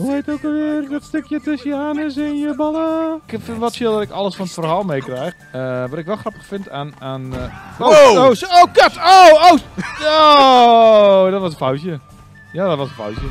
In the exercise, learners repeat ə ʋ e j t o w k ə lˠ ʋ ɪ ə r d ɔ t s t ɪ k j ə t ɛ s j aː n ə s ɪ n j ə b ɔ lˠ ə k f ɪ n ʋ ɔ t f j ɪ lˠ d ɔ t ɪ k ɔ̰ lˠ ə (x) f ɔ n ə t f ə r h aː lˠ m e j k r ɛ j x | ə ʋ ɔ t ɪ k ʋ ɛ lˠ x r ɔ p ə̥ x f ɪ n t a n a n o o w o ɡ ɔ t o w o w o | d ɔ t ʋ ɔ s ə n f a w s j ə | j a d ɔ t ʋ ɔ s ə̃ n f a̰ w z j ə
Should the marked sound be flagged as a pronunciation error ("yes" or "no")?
yes